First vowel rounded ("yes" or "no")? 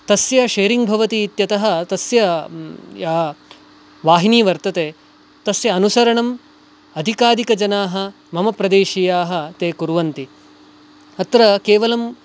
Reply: no